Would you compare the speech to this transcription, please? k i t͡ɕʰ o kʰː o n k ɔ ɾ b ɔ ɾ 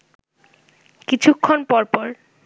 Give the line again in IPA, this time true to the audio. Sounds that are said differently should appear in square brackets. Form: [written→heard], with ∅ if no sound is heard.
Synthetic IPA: k i t͡ɕʰ [o→u] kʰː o n [k→p] ɔ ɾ [b→p] ɔ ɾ